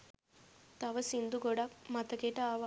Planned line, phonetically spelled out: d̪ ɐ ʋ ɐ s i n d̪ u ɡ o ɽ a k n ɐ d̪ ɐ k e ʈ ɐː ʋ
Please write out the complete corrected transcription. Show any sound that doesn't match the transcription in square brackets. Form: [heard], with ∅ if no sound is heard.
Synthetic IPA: [t̪] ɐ ʋ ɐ s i n d̪ u ɡ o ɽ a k [m] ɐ [t̪] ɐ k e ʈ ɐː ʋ